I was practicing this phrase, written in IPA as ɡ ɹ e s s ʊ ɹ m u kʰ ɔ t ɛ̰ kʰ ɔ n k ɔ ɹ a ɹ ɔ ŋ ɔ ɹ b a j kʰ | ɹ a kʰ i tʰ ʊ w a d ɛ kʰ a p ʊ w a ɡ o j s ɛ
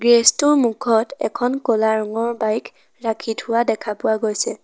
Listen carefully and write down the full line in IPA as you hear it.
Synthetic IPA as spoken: ɡ ɹ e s t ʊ ɹ m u kʰ ɔ t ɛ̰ kʰ ɔ n k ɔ l a ɹ ɔ ŋ ɔ ɹ b a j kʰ | ɹ a kʰ i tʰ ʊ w a d ɛ kʰ a p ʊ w a ɡ o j s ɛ